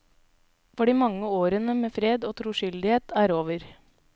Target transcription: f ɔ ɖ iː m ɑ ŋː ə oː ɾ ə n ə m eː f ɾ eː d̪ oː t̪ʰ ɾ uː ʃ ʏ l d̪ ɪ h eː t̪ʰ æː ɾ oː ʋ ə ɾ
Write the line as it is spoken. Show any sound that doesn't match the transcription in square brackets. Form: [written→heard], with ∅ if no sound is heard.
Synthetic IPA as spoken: f ɔ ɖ iː m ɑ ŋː ə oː ɾ ə n ə m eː f ɾ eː d̪ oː t̪ʰ ɾ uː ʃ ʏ l d̪ ɪ h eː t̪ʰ æː ɾ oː ʋ ə ɾ